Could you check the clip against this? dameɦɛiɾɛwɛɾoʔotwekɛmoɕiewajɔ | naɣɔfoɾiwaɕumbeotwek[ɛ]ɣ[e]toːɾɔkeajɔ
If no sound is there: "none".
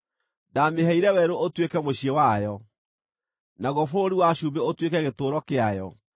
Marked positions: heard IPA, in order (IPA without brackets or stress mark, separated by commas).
ɛ, e